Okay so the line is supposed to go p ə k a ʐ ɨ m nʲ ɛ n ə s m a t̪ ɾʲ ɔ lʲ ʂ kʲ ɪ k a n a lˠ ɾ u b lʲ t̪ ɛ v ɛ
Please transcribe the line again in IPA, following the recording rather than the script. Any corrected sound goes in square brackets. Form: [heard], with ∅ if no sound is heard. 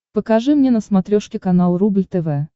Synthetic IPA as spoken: p ə k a ʐ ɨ m nʲ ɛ n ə s m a t̪ ɾʲ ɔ [∅] ʂ kʲ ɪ k a n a lˠ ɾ u b lʲ t̪ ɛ v ɛ